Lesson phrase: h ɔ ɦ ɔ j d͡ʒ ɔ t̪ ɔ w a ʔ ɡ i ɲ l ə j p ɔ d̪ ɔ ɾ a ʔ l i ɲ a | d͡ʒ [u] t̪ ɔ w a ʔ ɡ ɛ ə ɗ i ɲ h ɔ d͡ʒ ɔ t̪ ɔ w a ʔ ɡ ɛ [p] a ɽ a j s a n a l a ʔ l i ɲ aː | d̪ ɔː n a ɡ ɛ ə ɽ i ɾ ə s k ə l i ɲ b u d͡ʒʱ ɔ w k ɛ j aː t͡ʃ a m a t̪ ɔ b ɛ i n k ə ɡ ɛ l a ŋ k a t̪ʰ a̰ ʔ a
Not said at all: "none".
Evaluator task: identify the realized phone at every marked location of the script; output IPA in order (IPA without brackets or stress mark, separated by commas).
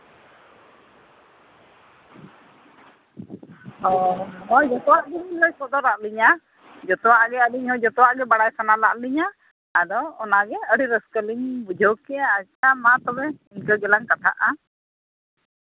ɔ, b